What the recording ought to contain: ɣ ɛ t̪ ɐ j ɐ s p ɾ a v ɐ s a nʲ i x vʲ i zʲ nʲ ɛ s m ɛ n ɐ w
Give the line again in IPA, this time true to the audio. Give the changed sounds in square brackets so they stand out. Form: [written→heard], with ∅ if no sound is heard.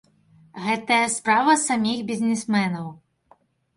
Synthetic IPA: ɣ ɛ t̪ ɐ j ɐ s p ɾ a v ɐ s a [nʲ→mʲ] i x [vʲ→bʲ] i zʲ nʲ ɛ s m ɛ n ɐ w